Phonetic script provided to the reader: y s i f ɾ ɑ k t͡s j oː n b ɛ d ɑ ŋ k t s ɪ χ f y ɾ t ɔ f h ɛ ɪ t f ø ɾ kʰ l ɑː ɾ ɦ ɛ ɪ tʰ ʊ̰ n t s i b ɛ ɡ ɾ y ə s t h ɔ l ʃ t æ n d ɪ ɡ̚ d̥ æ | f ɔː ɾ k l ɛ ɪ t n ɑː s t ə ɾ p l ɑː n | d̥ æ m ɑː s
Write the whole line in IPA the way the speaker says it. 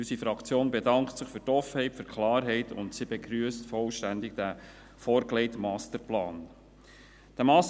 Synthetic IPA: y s i f ɾ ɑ k t͡s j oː n b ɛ d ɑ ŋ k t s ɪ χ f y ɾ t ɔ f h ɛ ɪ t f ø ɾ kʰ l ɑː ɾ ɦ ɛ ɪ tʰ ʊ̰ n t s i b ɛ ɡ ɾ y ə s t f ɔ l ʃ t æ n d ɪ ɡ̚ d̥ æ | f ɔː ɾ k l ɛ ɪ t m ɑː s t ə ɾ p l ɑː n | d̥ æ m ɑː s